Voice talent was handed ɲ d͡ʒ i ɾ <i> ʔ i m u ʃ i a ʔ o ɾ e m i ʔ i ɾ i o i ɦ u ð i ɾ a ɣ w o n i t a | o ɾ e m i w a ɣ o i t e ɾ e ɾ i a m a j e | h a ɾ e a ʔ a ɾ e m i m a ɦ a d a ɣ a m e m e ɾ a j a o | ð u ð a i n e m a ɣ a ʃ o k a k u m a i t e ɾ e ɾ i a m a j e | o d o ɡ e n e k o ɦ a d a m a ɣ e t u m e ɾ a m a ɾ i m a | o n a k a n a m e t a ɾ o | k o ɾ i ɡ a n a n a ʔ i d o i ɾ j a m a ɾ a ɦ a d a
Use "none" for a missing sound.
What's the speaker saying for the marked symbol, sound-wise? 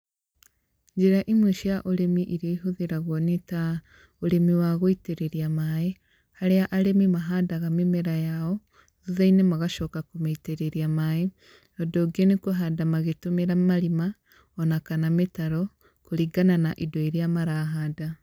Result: a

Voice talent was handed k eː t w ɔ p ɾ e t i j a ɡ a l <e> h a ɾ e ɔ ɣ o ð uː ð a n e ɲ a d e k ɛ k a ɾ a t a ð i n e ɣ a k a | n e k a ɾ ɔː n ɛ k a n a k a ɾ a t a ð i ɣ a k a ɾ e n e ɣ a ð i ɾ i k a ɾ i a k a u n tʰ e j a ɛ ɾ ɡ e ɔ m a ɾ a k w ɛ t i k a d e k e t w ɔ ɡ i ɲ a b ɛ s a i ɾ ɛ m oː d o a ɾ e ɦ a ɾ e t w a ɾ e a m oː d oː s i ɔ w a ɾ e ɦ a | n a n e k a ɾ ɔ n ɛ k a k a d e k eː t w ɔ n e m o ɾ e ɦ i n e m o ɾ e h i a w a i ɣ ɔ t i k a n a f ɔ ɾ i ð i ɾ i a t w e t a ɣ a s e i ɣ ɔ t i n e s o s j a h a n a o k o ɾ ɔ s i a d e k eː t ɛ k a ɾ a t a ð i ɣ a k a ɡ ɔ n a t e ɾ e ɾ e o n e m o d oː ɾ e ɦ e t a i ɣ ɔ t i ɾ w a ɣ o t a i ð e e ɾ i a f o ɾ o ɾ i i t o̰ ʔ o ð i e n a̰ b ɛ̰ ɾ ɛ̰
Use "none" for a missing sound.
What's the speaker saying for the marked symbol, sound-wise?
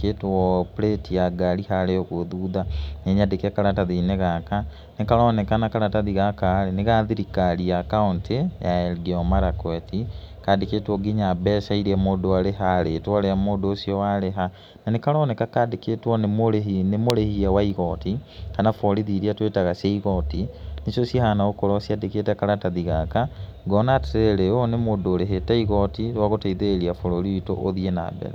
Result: i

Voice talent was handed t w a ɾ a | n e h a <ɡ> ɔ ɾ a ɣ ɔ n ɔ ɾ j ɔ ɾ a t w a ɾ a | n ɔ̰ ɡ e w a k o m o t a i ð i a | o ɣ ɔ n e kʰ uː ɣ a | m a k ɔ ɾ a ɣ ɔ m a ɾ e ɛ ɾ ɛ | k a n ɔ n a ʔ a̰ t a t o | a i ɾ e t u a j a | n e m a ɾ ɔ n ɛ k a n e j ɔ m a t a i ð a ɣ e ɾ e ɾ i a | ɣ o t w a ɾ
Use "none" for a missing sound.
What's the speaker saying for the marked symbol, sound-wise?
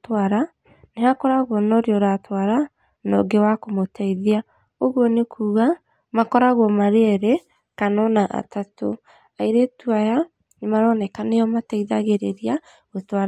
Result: k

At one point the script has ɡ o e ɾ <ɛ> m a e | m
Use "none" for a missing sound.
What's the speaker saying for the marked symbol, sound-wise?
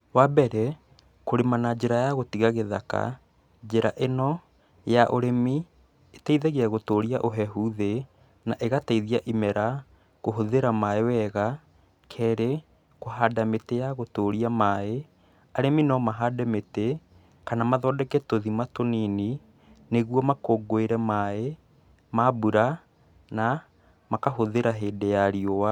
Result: ɛ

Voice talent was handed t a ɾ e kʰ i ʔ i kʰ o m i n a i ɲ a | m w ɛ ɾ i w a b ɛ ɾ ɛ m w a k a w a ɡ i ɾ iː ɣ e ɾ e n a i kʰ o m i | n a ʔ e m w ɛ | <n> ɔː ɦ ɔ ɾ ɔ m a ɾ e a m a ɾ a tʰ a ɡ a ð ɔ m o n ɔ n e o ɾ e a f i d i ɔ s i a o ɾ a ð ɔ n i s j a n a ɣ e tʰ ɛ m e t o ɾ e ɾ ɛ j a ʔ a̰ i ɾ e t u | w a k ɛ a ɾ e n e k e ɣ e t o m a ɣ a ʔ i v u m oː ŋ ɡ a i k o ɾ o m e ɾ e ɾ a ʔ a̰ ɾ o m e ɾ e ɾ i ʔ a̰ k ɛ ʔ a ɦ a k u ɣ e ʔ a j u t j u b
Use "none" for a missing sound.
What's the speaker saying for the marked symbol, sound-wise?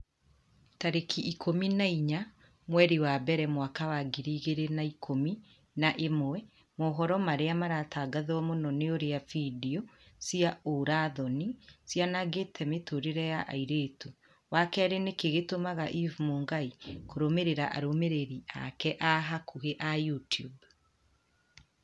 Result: m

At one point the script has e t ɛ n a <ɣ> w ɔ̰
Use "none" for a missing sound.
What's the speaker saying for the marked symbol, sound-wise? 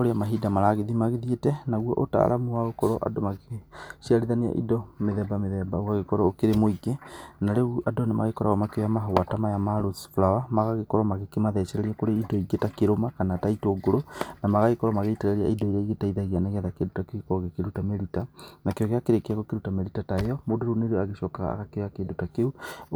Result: ɣ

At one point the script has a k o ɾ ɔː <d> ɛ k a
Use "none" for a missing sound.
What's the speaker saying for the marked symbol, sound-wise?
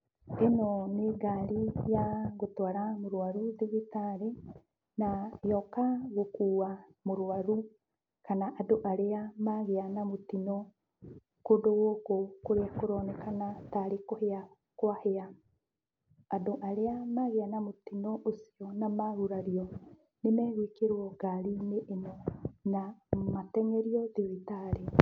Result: n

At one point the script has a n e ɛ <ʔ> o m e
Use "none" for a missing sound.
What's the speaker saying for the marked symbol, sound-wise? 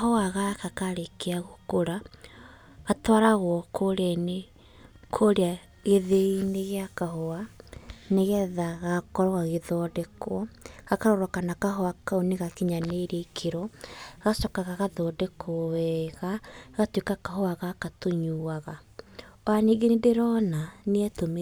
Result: t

